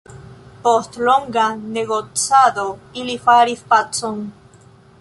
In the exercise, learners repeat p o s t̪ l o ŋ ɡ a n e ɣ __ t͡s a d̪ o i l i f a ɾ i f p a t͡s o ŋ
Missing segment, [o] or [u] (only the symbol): o